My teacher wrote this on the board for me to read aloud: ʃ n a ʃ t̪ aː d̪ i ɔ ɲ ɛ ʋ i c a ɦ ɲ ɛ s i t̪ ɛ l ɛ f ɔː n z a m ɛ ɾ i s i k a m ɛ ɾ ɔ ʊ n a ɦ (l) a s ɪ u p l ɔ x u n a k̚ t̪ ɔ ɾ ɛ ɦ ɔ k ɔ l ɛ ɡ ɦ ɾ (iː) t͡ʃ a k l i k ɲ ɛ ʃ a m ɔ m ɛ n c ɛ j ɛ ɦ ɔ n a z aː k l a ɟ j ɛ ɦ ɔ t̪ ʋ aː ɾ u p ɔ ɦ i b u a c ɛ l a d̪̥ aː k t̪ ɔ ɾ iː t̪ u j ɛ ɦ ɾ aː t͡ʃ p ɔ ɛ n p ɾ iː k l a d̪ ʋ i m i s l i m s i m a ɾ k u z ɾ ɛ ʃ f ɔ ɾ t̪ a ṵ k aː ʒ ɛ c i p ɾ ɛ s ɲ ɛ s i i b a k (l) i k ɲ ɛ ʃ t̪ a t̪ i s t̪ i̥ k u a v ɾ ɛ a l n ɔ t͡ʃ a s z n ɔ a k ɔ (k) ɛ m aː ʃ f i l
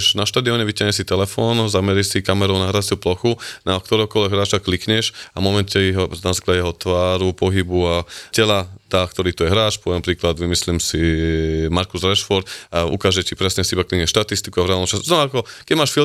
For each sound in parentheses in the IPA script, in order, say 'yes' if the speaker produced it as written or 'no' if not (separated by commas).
no, no, yes, yes